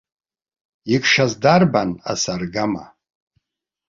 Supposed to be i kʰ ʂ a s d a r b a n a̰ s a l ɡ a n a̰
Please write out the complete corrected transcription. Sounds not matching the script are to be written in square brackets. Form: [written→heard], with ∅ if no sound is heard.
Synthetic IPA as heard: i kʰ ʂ a [s→z] d a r b a n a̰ s a [l→r] ɡ a [n→m] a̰